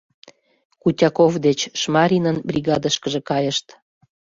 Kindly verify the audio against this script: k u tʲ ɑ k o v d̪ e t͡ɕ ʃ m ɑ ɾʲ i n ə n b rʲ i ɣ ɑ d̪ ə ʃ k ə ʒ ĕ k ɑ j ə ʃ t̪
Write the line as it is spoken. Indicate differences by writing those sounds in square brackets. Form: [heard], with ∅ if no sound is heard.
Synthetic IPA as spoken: k u tʲ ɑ k o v d̪ e t͡ɕ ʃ m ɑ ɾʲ i n ə n b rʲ i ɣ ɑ d̪ ə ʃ k ə ʒ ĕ k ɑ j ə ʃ t̪